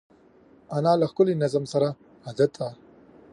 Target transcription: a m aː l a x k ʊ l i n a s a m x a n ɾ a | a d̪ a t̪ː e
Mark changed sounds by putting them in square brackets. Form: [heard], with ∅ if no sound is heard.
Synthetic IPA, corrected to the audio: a [n] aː l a x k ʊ l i n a [z] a m [s] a [∅] ɾ a | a d̪ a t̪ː [a]